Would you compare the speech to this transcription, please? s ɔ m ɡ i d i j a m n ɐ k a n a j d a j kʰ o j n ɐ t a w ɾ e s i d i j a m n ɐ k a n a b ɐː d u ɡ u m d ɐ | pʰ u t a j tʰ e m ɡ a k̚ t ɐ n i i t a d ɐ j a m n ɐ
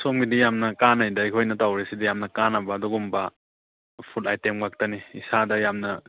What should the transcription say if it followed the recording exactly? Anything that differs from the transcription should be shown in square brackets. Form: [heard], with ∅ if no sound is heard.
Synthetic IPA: s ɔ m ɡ i d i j a m n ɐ k a n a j d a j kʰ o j n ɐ t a w ɾ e s i d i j a m n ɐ k a n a b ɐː d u ɡ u m [b] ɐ | pʰ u t a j [t] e m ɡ a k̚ t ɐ n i i [s] a d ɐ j a m n ɐ